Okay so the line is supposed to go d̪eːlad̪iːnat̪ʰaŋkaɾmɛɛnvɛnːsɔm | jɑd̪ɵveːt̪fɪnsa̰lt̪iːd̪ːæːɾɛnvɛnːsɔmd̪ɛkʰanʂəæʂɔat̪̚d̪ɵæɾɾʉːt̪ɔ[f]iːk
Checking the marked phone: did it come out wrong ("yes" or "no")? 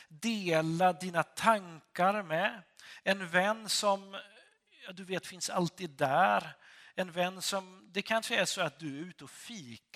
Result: no